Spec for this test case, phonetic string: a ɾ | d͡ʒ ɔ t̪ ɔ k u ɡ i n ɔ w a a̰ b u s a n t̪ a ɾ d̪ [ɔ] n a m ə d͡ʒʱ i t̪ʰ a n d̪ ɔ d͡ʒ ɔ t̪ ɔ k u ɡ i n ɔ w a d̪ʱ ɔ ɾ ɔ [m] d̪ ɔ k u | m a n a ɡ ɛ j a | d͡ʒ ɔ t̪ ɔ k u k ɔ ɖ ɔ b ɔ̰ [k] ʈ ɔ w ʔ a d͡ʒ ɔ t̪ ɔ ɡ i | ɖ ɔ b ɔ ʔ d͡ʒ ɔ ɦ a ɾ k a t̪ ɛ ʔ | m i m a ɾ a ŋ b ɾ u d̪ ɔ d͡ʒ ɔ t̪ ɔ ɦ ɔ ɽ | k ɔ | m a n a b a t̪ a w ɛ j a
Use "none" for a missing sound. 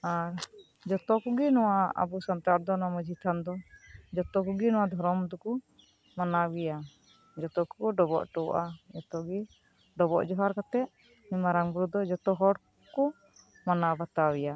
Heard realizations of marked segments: ɔ, m, ʔ

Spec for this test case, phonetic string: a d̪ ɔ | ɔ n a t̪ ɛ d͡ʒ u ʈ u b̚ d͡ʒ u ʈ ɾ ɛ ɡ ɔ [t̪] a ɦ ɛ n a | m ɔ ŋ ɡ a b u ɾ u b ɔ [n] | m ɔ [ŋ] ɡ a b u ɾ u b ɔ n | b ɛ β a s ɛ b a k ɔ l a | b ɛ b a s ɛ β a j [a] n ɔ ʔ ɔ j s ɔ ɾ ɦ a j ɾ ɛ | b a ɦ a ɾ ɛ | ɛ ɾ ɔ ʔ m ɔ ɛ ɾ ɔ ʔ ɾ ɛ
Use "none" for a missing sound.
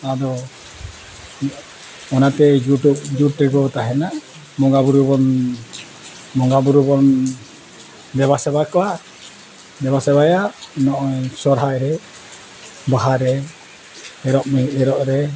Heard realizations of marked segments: t̪, n, ŋ, a

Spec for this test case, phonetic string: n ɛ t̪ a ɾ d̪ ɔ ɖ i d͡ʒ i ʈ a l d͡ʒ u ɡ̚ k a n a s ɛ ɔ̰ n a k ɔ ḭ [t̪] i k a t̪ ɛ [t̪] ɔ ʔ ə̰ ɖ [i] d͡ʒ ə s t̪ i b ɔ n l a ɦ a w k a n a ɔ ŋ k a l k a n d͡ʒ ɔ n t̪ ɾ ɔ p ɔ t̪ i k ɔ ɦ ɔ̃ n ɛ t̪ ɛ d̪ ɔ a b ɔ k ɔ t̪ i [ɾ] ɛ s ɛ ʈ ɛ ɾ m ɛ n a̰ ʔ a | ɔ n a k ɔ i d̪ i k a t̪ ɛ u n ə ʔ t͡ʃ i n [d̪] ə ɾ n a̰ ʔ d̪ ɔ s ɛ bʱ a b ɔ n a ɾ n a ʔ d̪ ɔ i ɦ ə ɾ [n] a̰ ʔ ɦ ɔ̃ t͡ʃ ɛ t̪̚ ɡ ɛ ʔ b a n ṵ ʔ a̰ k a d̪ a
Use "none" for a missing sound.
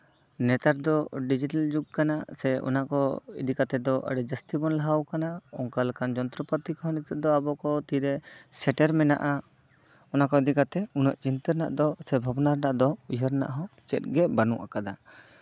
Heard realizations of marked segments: d̪, d̪, ɛ, ɾ, t̪, n

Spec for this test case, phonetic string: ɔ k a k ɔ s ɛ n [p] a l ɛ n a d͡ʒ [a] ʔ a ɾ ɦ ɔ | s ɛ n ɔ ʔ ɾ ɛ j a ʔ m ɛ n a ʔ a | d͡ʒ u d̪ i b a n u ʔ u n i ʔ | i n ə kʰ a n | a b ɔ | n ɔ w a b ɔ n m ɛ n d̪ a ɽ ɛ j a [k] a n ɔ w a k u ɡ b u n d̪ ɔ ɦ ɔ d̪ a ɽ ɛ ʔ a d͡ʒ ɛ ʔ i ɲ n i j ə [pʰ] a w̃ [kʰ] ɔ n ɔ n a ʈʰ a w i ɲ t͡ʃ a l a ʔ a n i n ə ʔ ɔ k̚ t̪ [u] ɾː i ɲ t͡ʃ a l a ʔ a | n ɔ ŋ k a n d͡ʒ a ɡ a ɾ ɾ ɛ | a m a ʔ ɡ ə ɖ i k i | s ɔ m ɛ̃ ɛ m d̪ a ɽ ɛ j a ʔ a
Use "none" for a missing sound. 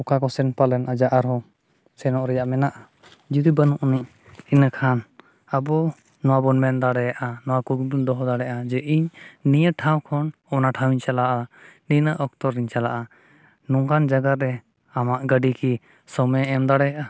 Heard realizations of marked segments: p, a, ʔ, ʈʰ, kʰ, ɔ

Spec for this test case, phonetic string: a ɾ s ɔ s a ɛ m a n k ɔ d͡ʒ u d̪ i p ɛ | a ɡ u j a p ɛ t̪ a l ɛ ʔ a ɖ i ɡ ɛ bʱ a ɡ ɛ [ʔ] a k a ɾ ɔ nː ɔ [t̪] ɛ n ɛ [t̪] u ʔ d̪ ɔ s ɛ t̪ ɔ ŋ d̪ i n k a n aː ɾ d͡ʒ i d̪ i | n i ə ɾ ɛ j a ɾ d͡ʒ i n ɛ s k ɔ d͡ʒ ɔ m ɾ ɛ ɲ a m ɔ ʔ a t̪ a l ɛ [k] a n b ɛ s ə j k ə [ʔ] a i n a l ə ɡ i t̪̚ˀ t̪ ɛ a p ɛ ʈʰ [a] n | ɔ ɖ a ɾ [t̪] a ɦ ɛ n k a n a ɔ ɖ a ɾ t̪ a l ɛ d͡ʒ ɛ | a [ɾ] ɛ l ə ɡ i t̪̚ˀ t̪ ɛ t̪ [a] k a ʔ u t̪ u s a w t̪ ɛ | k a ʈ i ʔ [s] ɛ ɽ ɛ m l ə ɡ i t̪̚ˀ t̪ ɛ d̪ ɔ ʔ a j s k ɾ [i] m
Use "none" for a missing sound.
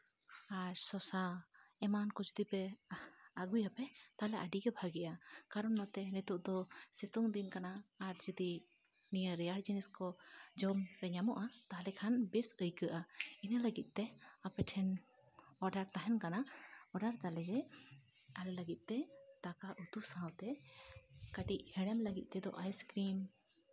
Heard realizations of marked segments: ʔ, t̪, t̪, kʰ, ʔ, ɛ, t̪, l, a, h, i

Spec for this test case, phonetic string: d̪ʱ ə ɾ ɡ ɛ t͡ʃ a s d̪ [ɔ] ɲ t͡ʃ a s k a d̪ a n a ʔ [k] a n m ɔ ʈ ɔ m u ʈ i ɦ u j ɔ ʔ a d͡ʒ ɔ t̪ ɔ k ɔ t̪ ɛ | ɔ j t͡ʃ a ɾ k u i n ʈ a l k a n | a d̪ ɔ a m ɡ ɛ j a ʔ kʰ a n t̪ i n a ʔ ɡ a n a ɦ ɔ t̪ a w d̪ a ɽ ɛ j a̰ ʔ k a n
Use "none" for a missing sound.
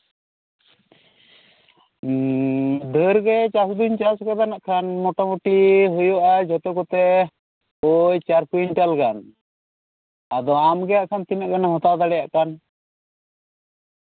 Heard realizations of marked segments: u, kʰ

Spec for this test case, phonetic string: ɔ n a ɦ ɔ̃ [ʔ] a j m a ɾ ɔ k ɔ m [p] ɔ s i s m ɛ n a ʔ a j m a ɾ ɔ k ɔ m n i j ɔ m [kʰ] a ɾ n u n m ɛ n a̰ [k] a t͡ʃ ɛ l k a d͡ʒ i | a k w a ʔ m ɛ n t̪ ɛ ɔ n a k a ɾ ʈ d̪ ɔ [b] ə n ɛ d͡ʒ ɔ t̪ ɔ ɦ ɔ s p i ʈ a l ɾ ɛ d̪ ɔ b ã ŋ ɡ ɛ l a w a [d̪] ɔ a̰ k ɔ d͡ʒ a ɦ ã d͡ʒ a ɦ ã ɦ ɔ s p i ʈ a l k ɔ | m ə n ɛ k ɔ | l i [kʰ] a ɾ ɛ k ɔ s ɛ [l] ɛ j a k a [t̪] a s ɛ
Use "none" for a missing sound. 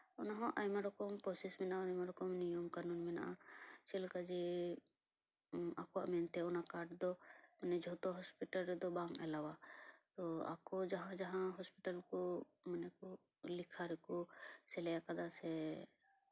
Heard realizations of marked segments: ʔ, p, k, ʔ, m, t̪, kʰ, l, d̪

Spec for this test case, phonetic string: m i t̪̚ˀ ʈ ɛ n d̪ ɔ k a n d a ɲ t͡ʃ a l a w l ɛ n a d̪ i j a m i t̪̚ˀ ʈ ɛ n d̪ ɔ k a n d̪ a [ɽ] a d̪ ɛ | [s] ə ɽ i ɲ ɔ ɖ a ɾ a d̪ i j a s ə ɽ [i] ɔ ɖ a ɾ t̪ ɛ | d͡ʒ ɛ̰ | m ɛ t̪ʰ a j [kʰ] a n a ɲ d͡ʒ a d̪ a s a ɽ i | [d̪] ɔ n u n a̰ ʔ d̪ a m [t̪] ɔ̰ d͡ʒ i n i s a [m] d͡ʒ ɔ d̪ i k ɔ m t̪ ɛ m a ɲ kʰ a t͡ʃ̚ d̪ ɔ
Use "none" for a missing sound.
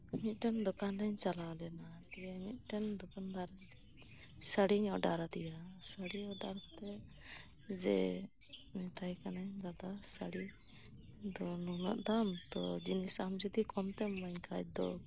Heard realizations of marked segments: ɾ, s, i, k, d̪, t̪, m

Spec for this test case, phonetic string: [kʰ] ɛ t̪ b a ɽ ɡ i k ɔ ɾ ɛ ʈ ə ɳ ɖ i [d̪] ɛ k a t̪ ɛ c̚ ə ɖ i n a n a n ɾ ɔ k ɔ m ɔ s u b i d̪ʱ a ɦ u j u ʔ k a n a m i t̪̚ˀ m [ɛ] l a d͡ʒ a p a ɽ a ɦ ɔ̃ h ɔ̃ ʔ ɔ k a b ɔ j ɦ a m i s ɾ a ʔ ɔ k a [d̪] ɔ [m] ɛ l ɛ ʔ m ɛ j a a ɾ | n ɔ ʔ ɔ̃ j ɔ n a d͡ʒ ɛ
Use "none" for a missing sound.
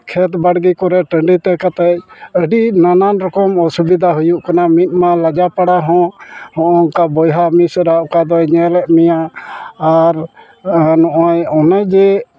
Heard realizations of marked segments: kʰ, t̪, a, d̪, ɲ

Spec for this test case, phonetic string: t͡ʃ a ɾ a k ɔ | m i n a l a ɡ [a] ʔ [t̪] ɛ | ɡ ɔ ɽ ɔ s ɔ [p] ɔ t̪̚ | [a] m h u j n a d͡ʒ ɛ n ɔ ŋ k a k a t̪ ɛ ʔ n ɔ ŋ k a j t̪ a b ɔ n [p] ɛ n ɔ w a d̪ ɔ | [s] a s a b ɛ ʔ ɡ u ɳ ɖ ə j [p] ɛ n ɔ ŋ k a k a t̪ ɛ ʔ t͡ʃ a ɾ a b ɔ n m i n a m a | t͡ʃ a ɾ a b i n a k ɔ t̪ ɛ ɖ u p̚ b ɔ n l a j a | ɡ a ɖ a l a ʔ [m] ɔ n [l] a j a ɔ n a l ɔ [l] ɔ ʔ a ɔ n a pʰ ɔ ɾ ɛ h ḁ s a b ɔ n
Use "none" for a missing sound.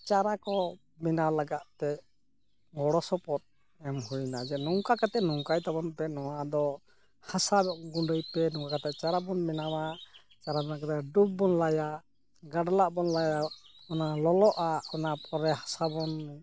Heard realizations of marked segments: a, t̪, p, ɛ, p, h, p, b, l, l

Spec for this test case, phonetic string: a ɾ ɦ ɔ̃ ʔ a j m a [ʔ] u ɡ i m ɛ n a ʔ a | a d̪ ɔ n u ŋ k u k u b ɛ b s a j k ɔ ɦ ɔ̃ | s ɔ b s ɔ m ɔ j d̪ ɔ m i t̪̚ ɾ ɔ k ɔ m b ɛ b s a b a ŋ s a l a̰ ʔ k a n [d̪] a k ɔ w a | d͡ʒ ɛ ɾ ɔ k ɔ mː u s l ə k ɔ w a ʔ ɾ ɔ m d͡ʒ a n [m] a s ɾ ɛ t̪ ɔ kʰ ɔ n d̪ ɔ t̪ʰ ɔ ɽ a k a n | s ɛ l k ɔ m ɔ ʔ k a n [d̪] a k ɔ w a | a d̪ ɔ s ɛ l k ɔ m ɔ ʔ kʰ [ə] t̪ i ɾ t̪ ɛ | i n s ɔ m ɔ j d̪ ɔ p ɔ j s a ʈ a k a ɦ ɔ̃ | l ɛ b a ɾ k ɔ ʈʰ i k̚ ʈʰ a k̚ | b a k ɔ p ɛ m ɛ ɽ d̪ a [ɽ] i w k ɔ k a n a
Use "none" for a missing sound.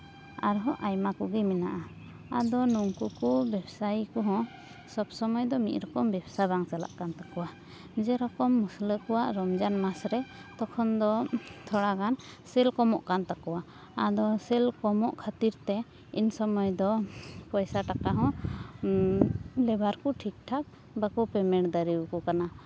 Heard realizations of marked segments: k, t̪, m, t̪, a, ɾ

